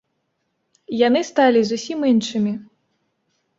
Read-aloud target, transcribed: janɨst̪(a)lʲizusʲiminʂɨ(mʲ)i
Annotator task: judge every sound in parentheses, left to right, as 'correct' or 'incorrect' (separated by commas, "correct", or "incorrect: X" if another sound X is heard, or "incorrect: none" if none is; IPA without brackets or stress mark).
correct, correct